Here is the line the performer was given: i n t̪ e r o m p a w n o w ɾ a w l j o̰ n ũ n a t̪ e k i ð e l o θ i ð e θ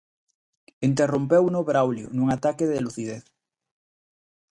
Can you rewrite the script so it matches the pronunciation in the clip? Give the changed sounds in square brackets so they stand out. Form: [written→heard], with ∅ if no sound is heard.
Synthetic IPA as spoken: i n t̪ e r o m p [a→e] w n o [w→β] ɾ a w l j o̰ n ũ [n→ŋ] a t̪ [e→a] k [i→e] ð e l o θ i ð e θ